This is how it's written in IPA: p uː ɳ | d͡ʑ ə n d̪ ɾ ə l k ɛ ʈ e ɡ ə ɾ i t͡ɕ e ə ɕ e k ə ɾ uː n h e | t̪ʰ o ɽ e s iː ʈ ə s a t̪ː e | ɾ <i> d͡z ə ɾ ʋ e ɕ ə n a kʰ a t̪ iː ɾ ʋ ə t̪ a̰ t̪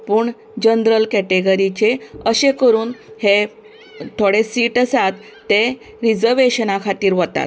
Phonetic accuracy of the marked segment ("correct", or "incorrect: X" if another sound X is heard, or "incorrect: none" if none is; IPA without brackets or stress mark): correct